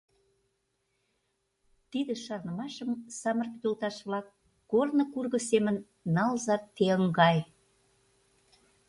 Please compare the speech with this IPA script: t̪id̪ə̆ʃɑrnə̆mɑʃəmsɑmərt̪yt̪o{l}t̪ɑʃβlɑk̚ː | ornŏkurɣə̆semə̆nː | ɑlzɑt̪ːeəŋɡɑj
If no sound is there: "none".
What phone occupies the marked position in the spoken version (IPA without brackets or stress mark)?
l